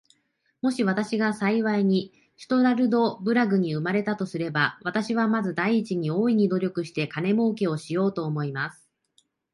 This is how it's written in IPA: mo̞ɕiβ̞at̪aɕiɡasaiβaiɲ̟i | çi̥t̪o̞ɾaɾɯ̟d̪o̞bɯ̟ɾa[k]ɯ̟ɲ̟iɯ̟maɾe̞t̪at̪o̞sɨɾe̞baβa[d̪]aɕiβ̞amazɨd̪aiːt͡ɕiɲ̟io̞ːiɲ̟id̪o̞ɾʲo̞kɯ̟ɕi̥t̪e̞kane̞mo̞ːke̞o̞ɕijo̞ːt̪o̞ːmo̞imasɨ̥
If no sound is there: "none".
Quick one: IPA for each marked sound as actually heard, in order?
ɡ, t̪

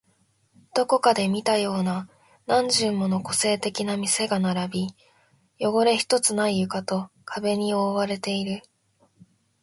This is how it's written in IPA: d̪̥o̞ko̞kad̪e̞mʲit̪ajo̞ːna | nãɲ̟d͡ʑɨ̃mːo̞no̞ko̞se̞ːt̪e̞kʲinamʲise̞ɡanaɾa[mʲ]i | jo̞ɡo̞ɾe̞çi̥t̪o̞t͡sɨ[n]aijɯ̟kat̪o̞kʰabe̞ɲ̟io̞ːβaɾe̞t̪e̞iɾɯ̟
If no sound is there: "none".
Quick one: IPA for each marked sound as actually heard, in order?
bʲ, n

